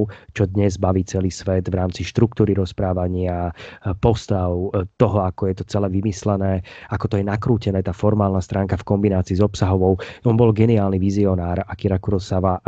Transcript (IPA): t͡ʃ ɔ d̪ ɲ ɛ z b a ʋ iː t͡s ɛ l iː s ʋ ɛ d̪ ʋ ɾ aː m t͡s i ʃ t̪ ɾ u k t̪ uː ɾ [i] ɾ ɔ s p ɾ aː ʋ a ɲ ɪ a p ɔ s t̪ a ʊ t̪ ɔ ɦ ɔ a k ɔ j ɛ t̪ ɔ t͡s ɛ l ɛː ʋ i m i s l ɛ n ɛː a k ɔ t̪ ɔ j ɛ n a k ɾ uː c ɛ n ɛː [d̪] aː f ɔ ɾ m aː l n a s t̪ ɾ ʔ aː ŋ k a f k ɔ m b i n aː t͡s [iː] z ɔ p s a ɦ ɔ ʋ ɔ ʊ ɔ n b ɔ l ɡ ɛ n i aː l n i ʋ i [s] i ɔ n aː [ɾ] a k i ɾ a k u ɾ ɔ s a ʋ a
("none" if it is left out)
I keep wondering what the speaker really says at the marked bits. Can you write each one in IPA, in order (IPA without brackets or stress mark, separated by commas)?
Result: i, t̪, iː, z, ɾ